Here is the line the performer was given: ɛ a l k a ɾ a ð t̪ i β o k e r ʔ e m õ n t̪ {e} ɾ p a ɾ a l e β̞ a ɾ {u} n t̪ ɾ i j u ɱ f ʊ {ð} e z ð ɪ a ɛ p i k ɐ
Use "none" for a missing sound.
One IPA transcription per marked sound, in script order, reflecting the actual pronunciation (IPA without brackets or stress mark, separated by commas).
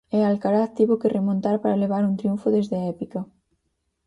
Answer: a, u, ð